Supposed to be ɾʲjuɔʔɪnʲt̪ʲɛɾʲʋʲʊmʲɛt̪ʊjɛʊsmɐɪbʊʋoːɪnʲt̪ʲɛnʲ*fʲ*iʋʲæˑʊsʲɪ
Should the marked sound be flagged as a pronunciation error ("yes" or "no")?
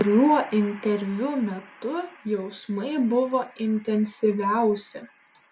yes